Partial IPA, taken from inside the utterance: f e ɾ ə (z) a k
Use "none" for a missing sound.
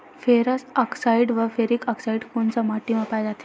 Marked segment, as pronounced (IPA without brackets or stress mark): s